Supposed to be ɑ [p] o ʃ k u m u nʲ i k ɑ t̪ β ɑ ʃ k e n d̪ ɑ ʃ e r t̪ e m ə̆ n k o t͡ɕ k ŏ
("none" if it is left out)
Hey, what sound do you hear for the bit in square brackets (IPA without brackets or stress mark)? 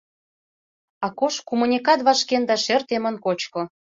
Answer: k